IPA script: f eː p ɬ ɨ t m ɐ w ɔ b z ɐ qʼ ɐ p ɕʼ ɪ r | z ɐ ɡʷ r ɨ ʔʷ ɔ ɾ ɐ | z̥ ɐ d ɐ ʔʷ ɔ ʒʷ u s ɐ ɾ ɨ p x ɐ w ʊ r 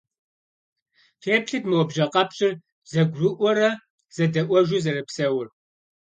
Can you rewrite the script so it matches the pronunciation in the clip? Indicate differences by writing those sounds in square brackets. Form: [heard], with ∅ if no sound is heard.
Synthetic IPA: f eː p ɬ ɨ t m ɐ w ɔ b [ʒ] ɐ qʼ ɐ p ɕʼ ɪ r | z ɐ ɡʷ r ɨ ʔʷ ɔ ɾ ɐ | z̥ ɐ d ɐ ʔʷ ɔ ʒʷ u [z] ɐ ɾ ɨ p [s] ɐ w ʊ r